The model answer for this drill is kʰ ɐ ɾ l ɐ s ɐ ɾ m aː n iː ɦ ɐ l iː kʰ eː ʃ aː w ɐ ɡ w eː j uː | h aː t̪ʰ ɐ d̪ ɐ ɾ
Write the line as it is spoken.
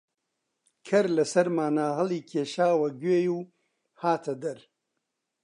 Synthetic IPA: kʰ ɐ ɾ l ɐ s ɐ ɾ m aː n aː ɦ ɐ l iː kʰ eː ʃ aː w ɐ ɡ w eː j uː | h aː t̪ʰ ɐ d̪ ɐ ɾ